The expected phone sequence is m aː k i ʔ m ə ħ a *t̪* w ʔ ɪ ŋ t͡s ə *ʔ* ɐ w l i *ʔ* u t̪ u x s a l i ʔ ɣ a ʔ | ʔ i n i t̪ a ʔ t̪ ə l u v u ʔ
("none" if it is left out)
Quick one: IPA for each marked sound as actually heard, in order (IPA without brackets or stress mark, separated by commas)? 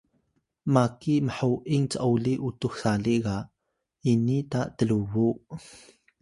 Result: none, ʔ, ʔ